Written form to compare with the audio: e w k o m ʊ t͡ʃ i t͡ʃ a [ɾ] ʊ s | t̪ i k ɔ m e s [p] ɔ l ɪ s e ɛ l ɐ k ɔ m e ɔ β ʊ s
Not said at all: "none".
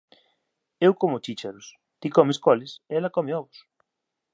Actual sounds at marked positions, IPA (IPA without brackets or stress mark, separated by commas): ɾ, k